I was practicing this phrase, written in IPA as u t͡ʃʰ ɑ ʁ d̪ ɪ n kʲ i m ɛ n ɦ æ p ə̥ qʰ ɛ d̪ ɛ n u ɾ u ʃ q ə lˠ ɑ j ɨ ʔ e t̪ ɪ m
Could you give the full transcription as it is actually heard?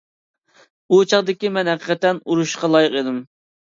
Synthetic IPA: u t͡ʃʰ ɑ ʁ d̪ ɪ kʲ i m ɛ n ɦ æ q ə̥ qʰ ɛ t̪ ɛ n u ɾ u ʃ q ɑ lˠ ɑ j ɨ q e d̪ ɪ m